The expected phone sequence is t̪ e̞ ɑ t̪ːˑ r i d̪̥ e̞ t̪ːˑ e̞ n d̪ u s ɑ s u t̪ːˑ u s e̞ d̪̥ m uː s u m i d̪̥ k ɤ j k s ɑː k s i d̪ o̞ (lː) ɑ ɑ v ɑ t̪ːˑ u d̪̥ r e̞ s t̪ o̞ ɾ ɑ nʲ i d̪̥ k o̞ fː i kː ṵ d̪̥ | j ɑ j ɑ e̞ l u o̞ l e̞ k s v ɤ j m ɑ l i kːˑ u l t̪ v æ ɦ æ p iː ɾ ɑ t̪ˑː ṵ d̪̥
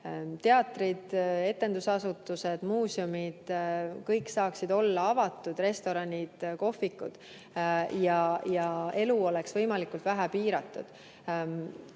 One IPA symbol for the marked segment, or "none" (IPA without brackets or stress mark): lː